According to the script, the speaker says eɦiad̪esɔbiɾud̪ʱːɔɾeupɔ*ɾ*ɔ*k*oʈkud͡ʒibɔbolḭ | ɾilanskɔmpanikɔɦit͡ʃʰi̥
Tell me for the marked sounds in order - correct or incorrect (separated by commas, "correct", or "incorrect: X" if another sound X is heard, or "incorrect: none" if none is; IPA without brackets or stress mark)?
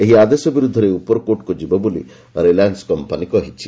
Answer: correct, correct